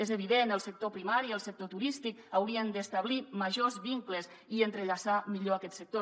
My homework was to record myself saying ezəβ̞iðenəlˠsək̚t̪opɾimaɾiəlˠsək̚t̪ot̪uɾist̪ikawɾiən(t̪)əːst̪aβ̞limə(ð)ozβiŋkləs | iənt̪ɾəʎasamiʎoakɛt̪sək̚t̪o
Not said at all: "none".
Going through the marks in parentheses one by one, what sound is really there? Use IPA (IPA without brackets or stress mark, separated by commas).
d̪, ʒ